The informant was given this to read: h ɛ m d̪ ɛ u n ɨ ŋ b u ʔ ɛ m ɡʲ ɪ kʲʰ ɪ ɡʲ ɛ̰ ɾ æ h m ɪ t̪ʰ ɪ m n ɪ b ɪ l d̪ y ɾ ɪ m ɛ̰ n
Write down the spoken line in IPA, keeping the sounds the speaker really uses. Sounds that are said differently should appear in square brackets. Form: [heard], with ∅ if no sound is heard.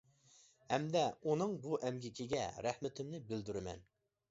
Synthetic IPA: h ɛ m d̪ ɛ u n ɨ ŋ b u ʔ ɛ m ɡʲ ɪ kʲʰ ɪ ɡʲ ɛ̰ ɾ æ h m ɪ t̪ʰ ɪ m n ɪ b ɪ l d̪ y ɾ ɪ m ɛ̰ n

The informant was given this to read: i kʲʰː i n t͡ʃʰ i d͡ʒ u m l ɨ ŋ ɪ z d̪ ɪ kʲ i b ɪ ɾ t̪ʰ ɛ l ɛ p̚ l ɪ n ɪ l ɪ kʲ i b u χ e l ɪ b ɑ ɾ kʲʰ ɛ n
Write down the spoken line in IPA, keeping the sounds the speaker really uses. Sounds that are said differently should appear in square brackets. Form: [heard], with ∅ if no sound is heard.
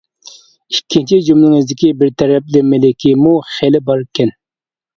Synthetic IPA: i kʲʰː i n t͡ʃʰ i d͡ʒ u m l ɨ ŋ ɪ z d̪ ɪ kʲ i b ɪ ɾ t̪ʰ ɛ [ɾ] ɛ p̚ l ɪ [m] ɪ l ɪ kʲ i [m] u χ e l ɪ b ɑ ɾ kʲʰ ɛ n

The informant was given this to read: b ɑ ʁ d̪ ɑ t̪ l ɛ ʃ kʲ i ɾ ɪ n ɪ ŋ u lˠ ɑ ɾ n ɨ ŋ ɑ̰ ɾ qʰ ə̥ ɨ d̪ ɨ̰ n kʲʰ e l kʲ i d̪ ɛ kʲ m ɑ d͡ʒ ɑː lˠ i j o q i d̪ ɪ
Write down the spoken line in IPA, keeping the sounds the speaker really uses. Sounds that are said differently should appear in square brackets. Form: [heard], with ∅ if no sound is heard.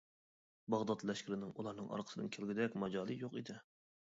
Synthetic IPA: b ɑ ʁ d̪ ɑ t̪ l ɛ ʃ kʲ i ɾ ɪ n ɪ ŋ u lˠ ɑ ɾ n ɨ ŋ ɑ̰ ɾ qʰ ə̥ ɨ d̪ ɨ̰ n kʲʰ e l [ɡʲ] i d̪ ɛ kʲ m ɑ d͡ʒ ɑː lˠ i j o q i d̪ ɪ

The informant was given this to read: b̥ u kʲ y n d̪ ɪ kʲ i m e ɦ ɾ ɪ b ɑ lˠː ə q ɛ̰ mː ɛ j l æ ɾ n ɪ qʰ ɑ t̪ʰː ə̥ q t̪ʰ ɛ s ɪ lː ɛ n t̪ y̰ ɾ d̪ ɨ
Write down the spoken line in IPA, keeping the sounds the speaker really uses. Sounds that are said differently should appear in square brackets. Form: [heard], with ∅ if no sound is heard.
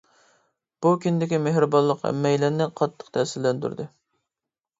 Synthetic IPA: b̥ u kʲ y n d̪ ɪ kʲ i m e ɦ ɾ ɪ b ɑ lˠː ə q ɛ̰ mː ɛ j l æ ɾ n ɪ qʰ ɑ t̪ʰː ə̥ q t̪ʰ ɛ s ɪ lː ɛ n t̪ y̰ ɾ d̪ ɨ

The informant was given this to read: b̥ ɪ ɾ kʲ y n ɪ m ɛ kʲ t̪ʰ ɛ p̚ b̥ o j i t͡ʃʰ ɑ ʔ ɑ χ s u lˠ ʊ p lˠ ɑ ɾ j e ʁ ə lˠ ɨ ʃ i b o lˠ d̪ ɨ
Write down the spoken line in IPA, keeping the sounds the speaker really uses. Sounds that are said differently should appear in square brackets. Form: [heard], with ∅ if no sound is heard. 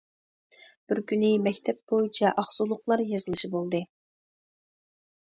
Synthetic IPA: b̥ ɪ ɾ kʲ y n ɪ m ɛ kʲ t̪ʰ ɛ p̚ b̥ o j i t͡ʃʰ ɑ ʔ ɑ χ s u lˠ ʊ [q] lˠ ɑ ɾ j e ʁ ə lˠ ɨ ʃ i b o lˠ d̪ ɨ

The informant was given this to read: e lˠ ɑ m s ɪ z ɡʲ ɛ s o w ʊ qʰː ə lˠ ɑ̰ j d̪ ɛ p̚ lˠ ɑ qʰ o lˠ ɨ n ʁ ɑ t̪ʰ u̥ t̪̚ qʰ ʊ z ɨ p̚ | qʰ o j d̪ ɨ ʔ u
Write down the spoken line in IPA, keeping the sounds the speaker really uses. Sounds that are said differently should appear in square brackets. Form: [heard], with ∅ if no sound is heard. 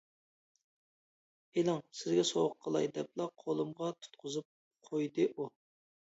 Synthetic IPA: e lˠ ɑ [ŋ] s ɪ z ɡʲ ɛ s o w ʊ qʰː ə lˠ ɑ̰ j d̪ ɛ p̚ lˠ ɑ qʰ o lˠ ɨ [m] ʁ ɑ t̪ʰ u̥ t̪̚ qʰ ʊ z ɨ p̚ | qʰ o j d̪ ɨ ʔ u

